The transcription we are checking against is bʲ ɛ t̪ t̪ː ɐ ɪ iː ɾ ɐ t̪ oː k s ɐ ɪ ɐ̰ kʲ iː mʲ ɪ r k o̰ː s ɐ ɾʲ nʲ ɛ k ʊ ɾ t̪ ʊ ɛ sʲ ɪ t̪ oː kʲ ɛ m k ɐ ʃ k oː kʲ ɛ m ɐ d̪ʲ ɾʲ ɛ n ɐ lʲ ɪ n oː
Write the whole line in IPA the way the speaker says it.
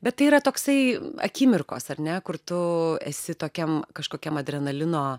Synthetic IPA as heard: bʲ ɛ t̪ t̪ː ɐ ɪ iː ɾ ɐ t̪ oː k s ɐ ɪ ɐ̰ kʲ iː mʲ ɪ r k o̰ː s ɐ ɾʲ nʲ ɛ k ʊ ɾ t̪ ʊ ɛ sʲ ɪ t̪ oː kʲ ɛ m k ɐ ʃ k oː kʲ ɛ m ɐ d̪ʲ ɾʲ ɛ n ɐ lʲ ɪ n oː